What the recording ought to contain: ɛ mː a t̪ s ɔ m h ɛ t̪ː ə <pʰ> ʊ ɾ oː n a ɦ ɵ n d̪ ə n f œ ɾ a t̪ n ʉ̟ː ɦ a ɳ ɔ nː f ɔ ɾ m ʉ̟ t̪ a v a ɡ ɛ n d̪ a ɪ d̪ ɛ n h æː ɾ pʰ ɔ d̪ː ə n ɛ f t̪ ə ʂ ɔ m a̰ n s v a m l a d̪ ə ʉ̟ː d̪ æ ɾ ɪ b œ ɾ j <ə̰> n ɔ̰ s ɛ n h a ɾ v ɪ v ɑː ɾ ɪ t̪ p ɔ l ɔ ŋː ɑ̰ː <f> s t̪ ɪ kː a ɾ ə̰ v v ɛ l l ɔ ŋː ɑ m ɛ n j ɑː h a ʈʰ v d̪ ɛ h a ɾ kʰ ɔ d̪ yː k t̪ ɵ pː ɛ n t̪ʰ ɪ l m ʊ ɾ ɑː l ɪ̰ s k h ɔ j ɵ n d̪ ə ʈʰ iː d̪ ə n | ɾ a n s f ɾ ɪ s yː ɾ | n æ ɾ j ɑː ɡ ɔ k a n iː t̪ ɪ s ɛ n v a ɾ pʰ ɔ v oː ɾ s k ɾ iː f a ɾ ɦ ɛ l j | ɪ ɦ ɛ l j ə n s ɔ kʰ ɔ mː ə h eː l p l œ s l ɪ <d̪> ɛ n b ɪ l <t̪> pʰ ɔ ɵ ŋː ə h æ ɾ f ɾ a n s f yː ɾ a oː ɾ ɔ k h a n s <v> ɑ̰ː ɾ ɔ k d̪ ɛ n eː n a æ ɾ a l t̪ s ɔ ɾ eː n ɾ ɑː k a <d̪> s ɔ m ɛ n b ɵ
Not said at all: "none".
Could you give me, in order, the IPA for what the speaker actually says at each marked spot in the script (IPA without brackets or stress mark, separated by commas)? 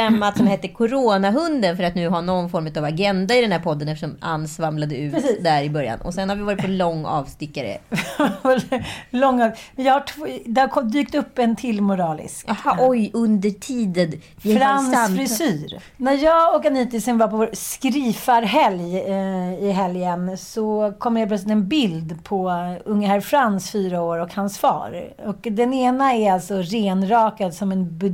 kʰ, a̰, v, t̪, d̪, f, d̪